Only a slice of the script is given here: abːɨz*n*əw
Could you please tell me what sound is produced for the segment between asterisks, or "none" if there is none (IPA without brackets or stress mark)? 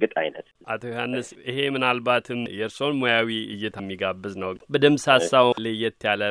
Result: n